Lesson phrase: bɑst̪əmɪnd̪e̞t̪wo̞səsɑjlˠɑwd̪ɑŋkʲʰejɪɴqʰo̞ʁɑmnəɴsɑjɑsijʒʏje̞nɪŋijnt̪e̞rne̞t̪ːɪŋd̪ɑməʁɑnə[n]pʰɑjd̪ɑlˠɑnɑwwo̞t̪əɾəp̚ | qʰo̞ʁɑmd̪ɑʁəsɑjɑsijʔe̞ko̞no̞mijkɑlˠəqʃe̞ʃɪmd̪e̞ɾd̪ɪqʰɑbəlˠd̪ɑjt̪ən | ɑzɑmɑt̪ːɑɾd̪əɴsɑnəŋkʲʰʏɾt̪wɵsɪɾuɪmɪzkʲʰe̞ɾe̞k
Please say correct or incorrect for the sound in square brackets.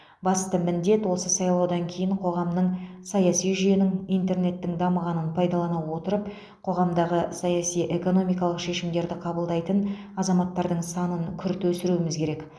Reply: correct